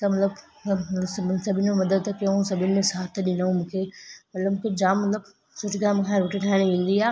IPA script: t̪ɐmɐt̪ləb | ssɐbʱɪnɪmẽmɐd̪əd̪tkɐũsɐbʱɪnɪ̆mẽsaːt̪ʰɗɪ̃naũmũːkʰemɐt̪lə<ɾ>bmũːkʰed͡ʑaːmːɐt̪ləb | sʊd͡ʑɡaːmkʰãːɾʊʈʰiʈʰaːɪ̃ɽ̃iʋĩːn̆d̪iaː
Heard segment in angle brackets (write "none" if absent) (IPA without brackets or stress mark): none